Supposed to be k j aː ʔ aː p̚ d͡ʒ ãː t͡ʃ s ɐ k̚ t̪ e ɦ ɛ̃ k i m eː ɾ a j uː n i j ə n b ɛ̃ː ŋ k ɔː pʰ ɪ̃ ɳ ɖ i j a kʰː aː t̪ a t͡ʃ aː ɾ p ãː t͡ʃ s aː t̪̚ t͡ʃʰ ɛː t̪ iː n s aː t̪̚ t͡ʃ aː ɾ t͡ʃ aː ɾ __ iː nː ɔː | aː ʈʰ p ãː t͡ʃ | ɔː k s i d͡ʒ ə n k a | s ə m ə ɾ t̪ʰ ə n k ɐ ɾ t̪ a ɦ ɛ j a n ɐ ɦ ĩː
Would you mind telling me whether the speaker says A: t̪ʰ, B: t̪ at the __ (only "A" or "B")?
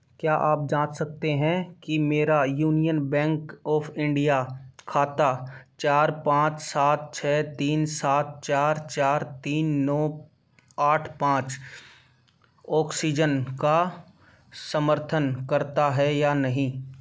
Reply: B